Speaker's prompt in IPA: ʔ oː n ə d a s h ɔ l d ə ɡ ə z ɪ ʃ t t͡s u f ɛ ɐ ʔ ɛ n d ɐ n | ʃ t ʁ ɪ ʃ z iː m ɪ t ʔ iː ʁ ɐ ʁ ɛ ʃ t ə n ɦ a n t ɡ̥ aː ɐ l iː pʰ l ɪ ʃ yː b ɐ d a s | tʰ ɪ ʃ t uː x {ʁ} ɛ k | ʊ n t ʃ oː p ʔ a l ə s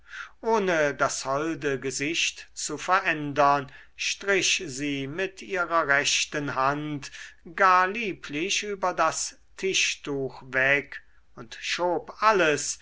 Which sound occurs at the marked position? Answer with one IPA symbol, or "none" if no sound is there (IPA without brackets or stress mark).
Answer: v